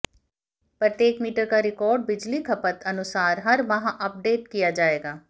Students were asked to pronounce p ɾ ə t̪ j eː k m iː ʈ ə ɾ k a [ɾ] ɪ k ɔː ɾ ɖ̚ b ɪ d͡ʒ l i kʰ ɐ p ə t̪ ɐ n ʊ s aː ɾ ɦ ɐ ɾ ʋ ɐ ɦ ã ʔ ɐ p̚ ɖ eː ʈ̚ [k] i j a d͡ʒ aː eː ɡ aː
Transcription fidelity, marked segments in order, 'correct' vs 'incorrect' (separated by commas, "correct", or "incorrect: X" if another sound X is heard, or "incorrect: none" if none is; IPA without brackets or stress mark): correct, correct